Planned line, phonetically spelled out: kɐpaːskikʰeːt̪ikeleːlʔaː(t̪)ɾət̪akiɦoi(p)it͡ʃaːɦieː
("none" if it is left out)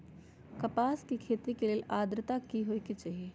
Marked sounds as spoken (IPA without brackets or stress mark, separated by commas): d̪, k